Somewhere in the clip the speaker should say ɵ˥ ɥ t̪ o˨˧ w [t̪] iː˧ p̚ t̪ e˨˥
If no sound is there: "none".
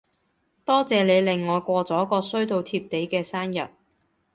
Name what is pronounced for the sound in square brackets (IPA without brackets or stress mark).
t̪ʰ